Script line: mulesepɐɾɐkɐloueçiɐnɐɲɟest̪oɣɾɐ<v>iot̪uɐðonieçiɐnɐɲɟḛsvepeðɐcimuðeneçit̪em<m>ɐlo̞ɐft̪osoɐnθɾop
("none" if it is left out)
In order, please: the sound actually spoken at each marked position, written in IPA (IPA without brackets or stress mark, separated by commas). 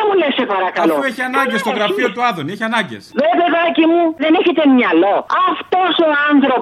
f, ɲ